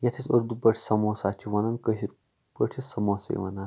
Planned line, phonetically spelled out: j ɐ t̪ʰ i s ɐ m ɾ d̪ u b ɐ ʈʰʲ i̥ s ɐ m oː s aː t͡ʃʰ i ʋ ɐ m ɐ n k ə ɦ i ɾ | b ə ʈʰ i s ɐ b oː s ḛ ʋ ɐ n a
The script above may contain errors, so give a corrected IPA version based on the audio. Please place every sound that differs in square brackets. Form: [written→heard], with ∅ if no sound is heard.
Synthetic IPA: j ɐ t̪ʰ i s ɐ [m→∅] ɾ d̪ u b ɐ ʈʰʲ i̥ s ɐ m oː s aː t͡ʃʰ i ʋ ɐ [m→n] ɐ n k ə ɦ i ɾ | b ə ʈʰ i s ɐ [b→m] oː s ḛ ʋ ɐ n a